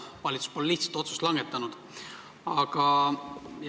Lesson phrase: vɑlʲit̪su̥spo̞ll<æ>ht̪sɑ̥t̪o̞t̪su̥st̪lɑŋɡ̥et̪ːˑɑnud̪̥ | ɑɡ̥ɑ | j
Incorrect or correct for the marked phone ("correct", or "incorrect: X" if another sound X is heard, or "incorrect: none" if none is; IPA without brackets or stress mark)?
incorrect: i